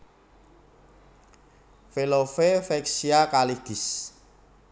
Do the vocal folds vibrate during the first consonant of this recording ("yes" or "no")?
no